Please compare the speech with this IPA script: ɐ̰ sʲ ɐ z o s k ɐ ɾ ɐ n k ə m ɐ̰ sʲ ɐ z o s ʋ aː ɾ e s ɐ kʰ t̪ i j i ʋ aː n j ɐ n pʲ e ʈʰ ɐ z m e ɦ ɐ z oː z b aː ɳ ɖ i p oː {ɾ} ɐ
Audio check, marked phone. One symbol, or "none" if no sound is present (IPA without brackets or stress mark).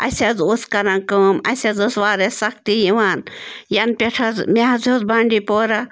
ɾ